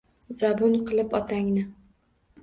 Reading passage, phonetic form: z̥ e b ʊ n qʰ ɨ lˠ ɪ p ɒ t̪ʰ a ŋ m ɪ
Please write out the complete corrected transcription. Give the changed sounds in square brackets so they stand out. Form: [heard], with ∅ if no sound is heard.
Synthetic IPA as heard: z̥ [a] b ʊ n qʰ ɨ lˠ ɪ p ɒ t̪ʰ a ŋ [n] ɪ